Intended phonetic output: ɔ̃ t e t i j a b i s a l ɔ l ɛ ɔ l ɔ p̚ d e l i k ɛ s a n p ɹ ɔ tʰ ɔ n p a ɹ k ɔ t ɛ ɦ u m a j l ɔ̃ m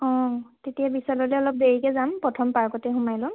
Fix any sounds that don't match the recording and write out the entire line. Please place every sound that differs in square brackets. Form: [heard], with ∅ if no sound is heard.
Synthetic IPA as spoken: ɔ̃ t e t i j a b i s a l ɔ l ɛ ɔ l ɔ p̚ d e [ɹ] i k ɛ [z] a [m] p ɹ ɔ tʰ ɔ [m] p a ɹ k ɔ t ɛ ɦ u m a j l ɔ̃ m